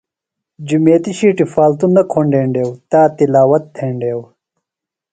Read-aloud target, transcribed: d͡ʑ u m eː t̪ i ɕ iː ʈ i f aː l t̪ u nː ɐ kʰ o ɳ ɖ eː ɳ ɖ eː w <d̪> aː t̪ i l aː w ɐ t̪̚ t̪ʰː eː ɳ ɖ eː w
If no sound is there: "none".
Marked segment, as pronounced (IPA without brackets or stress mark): t̪